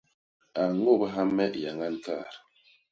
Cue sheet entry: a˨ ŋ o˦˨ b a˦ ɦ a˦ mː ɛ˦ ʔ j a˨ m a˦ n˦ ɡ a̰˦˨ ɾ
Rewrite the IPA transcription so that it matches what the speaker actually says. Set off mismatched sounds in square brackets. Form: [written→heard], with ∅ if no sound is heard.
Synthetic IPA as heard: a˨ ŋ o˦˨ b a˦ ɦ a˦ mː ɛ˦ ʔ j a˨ [m→ŋ] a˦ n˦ [ɡ→k] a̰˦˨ ɾ